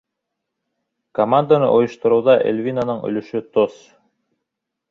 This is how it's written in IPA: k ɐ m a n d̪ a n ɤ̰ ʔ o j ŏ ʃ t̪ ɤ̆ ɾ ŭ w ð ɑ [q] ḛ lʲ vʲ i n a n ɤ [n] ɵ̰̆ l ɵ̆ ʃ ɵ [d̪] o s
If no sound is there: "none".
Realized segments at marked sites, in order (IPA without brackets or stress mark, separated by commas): ʔ, ɴ, t̪